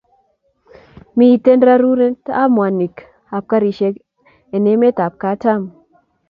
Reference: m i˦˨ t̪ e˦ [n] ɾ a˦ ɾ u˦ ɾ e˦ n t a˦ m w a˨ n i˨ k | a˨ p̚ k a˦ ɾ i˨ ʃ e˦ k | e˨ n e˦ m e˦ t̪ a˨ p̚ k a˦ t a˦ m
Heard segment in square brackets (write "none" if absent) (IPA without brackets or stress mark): n